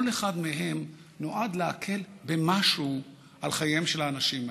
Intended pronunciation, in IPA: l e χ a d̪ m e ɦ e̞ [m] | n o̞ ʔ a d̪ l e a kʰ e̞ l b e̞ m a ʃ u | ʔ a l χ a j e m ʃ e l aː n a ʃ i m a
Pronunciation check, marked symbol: correct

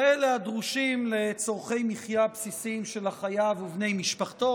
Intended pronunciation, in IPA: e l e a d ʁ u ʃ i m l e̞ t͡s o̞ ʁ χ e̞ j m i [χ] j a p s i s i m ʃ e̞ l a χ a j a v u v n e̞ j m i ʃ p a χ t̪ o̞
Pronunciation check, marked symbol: correct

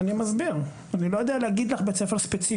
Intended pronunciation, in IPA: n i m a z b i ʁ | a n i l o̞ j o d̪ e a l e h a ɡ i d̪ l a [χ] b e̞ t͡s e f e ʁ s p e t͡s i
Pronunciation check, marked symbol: correct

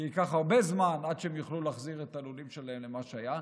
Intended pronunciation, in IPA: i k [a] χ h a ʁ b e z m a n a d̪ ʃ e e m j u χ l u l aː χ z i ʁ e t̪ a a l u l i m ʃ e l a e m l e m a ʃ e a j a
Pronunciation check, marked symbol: correct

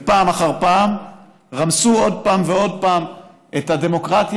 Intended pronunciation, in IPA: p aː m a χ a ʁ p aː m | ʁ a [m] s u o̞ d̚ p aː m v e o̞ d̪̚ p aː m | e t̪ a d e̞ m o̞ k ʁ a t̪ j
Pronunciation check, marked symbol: correct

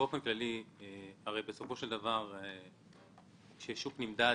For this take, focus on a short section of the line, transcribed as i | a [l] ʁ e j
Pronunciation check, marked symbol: incorrect: none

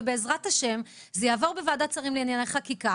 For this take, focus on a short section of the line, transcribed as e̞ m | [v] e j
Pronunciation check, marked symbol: incorrect: z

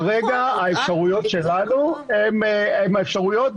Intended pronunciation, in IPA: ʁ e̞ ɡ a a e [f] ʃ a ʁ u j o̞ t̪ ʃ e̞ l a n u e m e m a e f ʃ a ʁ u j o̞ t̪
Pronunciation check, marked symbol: correct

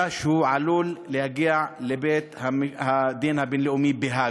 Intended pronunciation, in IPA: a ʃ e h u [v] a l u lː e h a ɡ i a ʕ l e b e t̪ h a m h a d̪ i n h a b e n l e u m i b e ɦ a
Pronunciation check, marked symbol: incorrect: ʕ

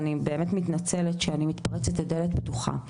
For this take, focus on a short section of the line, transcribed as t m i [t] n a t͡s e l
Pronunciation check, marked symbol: correct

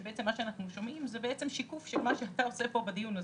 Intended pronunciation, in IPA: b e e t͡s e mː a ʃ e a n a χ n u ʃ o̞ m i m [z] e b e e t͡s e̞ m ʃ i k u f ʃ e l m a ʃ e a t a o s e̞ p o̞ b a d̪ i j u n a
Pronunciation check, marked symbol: correct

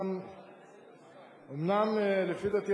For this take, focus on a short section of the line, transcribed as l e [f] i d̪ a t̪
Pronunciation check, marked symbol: correct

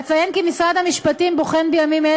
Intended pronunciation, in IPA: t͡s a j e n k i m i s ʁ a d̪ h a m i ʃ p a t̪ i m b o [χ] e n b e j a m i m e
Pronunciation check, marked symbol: correct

